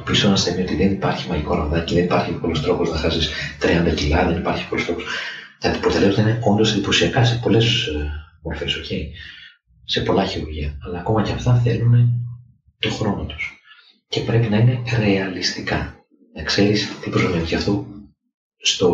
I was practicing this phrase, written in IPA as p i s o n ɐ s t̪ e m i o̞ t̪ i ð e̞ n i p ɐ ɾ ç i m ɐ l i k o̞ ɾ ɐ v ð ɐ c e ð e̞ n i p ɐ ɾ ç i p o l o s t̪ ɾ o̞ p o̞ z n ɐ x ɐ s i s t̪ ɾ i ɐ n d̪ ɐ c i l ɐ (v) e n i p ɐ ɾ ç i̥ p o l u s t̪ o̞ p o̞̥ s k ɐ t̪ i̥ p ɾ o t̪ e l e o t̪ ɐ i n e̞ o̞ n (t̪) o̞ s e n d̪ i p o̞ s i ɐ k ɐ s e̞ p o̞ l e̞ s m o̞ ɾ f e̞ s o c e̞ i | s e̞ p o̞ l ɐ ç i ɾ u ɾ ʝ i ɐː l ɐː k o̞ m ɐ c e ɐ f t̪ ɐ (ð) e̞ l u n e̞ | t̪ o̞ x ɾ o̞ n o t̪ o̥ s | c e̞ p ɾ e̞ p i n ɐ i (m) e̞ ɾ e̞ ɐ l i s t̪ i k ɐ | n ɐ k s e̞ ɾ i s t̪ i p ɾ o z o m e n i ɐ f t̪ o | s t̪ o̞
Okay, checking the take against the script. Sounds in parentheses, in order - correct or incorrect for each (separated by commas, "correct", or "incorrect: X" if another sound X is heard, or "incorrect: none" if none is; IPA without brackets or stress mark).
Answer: incorrect: ð, incorrect: d̪, incorrect: θ, incorrect: n